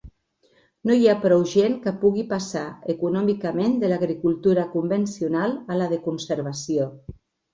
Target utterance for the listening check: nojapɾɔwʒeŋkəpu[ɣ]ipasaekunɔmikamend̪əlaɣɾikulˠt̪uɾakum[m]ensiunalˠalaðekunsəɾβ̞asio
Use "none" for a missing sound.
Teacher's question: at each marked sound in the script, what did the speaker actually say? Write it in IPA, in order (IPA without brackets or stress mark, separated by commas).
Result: ɣ, b